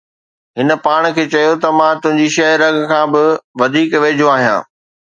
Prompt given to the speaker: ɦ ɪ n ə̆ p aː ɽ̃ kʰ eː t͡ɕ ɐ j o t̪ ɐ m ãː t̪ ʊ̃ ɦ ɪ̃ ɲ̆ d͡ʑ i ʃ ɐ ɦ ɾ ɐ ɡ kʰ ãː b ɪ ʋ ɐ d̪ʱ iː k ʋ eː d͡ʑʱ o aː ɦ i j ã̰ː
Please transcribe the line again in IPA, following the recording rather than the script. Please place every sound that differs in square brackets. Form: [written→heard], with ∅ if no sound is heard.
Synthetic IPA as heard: ɦ ɪ n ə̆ p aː ɽ̃ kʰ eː t͡ɕ ɐ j o t̪ ɐ m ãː t̪ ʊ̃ ɦ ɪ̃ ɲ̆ d͡ʑ i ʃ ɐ ɦ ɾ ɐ ɡ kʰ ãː b ɪ ʋ ɐ d̪ʱ iː k ʋ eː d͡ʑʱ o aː ɦ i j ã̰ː